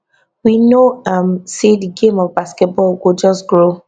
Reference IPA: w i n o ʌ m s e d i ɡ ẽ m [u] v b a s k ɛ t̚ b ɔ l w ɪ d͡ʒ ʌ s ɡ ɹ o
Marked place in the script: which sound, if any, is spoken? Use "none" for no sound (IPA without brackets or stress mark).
ɔ